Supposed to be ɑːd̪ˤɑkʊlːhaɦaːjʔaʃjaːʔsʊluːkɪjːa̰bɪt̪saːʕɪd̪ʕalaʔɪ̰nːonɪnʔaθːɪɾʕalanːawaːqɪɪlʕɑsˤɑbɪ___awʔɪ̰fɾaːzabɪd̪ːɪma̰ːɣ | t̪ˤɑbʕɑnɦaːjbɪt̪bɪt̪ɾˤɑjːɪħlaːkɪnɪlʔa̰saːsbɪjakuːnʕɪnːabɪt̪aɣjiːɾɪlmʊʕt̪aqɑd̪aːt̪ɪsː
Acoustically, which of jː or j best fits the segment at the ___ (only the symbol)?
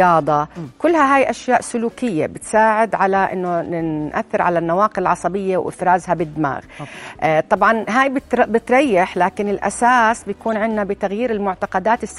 jː